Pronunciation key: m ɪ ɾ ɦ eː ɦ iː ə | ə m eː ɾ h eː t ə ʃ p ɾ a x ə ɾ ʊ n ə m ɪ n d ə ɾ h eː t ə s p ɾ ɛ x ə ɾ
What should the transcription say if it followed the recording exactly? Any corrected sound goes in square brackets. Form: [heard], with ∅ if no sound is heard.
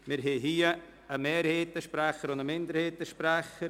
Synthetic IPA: m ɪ ɾ ɦ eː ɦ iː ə | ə m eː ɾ h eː t ə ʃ p ɾ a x ə ɾ ʊ n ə m ɪ n d ə ɾ h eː t ə [ʃ] p ɾ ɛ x ə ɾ